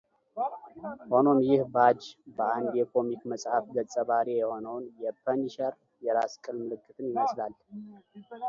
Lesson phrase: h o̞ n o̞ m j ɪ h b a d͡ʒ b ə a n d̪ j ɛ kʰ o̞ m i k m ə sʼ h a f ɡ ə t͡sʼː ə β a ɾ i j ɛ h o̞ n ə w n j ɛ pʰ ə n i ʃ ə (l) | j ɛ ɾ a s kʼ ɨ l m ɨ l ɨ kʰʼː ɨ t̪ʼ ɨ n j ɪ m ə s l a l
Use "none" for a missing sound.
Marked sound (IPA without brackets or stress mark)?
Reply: ɾ